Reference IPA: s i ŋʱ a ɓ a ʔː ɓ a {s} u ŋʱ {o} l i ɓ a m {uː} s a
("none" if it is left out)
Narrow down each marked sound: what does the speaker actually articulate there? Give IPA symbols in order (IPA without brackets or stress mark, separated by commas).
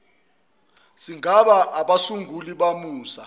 s, u, uː